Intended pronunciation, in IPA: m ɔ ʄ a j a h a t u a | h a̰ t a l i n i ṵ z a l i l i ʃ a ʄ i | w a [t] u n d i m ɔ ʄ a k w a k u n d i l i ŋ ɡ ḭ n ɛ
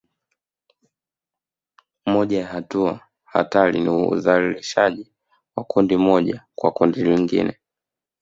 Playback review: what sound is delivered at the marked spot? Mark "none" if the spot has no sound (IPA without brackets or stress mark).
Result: k